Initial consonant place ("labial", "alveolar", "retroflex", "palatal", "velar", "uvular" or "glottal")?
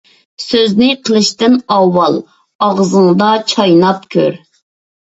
alveolar